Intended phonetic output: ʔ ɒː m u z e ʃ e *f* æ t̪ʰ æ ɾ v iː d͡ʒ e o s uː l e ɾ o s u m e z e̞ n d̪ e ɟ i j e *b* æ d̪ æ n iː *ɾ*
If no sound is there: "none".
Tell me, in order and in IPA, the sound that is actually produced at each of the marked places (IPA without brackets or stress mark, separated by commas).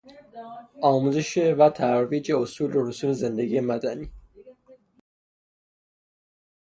v, m, none